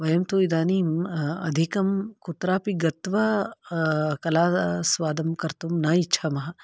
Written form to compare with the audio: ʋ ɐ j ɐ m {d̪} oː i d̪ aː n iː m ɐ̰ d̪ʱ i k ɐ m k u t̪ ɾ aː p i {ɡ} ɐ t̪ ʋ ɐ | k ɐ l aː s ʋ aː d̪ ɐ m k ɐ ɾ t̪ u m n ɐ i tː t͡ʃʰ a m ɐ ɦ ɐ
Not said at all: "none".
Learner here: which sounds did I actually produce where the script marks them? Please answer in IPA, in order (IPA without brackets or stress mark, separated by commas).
t̪, ɡ